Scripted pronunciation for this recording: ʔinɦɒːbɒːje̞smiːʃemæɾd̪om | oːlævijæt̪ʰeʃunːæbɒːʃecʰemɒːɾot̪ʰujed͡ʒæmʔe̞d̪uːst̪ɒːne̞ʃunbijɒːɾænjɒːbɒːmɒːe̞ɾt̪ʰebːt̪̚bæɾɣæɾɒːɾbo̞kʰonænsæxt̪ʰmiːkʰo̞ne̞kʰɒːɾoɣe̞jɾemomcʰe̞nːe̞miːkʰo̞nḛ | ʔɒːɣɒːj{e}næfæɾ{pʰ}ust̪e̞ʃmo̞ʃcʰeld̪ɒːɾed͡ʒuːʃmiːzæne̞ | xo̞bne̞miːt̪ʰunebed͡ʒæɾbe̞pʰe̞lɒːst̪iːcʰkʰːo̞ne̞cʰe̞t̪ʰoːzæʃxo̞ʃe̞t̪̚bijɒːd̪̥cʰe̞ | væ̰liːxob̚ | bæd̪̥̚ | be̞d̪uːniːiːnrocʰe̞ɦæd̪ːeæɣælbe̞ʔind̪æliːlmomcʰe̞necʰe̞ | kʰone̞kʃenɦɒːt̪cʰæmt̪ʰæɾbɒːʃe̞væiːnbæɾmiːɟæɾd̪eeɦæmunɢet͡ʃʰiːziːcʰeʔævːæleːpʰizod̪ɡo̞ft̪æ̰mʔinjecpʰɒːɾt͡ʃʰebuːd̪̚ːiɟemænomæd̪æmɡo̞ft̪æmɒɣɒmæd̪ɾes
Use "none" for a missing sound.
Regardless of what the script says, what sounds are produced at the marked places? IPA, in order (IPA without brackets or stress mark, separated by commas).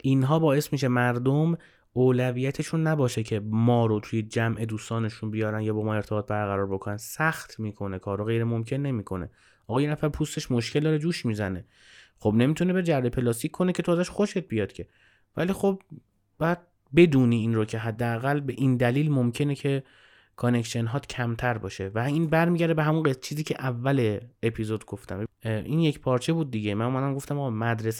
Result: e, pʰ